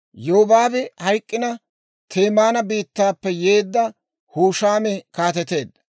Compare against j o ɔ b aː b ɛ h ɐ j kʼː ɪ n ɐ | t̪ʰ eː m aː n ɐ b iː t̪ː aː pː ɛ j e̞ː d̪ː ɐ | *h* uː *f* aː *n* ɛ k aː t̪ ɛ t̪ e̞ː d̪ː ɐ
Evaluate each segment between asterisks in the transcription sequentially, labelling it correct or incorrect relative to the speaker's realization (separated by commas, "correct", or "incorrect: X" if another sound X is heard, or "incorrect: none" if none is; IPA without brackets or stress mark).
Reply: correct, incorrect: ʃ, incorrect: m